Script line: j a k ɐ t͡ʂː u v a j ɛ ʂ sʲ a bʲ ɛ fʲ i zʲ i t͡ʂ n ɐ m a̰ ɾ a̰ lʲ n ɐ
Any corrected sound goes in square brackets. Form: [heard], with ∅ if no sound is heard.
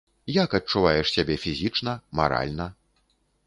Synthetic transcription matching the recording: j a k ɐ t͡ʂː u v a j ɛ ʂ sʲ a bʲ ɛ fʲ i zʲ i t͡ʂ n ɐ m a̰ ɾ a̰ lʲ n ɐ